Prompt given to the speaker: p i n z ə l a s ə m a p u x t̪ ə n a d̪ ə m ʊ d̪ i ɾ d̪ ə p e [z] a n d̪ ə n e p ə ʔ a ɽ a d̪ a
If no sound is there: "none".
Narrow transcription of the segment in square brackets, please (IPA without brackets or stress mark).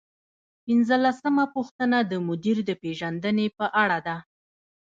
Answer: ʒ